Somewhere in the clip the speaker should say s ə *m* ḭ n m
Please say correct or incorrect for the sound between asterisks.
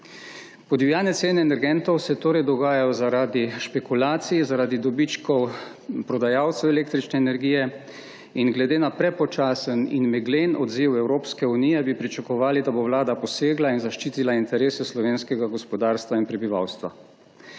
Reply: incorrect: n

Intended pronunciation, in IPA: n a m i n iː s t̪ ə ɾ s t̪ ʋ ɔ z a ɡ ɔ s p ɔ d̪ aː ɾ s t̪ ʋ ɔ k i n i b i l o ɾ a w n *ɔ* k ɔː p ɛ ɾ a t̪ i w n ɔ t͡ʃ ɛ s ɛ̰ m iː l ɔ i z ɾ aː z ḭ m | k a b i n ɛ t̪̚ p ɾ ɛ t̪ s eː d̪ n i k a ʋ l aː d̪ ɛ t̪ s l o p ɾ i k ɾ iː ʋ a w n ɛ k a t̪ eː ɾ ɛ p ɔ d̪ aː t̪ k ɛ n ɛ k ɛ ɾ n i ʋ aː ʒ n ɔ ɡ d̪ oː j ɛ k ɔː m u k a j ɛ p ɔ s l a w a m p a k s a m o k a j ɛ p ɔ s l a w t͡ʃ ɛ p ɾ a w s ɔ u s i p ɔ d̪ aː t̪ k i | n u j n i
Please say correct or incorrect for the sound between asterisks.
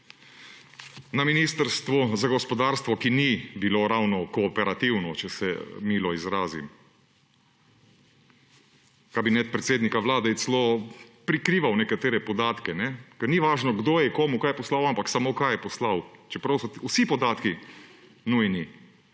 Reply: correct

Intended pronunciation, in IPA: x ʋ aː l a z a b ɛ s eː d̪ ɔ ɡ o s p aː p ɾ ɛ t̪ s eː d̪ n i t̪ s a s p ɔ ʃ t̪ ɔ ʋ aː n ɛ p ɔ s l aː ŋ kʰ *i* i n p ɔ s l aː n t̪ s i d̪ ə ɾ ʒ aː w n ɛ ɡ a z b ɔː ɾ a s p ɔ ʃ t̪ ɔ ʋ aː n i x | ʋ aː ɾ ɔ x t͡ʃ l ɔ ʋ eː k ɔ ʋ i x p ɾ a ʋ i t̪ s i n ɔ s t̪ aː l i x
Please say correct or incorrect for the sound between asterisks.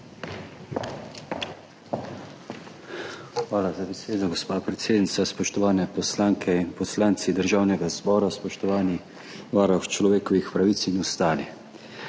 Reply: incorrect: ɛ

